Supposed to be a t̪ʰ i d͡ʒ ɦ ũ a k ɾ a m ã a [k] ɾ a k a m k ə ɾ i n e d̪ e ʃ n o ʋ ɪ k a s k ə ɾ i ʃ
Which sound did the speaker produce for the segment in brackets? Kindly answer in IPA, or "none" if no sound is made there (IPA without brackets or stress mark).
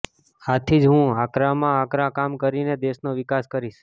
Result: k